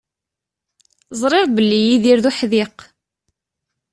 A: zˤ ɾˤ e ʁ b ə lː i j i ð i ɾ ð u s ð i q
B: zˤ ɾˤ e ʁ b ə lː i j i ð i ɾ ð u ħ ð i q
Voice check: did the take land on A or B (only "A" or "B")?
B